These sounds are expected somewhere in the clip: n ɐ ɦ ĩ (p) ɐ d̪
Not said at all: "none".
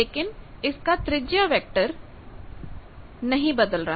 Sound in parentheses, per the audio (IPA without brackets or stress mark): b